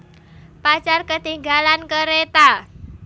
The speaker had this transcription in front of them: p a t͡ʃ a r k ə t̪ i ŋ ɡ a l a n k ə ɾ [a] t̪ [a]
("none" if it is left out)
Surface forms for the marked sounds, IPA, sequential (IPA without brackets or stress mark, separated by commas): e, a